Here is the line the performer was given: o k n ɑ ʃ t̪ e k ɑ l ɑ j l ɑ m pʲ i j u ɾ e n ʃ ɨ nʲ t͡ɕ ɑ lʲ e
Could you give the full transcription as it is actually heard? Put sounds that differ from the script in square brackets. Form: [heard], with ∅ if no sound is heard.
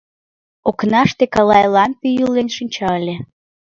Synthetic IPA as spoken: o k n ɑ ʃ t̪ e k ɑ l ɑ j l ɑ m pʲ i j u [l] e n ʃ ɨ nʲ t͡ɕ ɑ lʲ e